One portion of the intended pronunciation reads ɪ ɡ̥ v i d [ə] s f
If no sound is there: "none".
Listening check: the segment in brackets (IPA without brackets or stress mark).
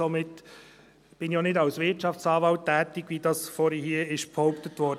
ɑ